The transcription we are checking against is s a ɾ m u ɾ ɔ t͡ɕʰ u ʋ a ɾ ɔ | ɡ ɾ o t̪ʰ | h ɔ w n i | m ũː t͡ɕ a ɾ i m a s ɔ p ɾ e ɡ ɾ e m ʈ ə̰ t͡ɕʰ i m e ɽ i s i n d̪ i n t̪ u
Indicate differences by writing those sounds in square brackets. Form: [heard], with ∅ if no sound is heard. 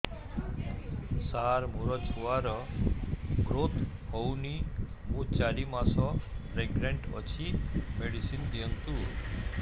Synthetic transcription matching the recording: s a ɾ m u ɾ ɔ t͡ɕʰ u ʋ a ɾ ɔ | ɡ ɾ o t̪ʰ | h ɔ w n i | m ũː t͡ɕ a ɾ i m a s ɔ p ɾ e ɡ ɾ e [ɳ] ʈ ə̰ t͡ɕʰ i m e ɽ i s i n d̪ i n t̪ u